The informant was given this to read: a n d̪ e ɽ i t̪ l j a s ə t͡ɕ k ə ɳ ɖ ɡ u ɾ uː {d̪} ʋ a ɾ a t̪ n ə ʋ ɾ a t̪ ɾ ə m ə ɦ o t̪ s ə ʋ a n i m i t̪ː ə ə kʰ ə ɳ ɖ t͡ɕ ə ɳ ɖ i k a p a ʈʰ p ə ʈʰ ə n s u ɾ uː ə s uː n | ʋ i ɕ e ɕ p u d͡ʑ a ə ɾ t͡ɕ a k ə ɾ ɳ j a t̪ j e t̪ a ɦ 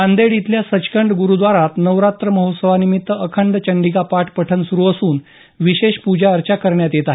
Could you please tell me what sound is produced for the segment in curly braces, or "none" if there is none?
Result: d̪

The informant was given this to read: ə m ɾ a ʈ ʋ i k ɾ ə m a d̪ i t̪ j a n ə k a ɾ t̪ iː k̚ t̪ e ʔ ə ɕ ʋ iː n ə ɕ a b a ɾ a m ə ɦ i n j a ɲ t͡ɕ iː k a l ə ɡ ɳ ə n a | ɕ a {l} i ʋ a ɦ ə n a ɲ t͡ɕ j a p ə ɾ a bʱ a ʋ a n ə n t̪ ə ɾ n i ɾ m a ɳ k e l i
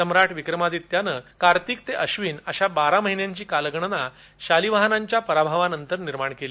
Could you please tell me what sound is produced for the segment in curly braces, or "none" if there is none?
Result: l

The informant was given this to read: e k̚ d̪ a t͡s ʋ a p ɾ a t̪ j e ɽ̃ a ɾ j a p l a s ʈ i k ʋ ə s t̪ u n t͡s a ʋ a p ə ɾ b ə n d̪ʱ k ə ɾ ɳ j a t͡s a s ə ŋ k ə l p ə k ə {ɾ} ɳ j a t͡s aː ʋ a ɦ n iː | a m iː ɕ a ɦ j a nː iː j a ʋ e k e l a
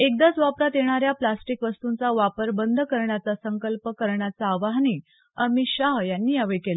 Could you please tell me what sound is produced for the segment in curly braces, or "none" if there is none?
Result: ɾ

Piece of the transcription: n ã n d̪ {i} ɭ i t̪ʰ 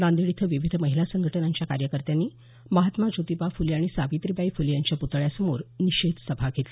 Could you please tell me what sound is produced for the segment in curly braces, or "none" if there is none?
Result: i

